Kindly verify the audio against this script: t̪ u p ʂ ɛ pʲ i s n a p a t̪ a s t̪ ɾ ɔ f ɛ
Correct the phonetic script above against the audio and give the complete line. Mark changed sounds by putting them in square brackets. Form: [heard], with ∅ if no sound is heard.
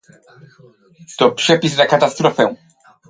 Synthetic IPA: t̪ [ɔ] p ʂ ɛ pʲ i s n a [k] a t̪ a s t̪ ɾ ɔ f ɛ